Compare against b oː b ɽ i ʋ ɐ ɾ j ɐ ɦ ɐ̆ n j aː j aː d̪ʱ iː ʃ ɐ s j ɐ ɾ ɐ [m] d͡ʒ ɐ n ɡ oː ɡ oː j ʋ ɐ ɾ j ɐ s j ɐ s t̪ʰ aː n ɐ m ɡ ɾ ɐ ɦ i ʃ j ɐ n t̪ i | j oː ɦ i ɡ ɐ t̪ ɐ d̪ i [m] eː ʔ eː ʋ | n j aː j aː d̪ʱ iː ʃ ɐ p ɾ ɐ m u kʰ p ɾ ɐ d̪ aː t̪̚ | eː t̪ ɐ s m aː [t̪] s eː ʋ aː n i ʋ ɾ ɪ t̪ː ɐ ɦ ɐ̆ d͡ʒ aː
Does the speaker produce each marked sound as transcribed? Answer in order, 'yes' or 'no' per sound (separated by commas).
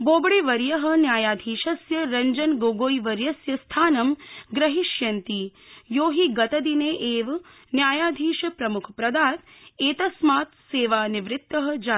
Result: no, no, yes